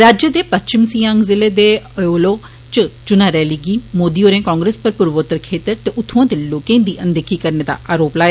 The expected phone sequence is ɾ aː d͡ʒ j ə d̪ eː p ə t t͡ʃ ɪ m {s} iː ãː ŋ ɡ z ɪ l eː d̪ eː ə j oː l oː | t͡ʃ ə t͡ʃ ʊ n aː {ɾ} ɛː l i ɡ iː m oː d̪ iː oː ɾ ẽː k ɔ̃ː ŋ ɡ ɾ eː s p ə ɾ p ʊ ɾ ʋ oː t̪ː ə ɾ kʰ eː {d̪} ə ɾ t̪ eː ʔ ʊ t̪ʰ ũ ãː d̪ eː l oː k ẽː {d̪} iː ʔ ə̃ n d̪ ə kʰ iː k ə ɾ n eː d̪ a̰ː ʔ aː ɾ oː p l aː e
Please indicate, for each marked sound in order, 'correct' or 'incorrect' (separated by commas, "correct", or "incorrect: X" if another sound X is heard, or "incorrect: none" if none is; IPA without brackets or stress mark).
correct, correct, incorrect: t̪, correct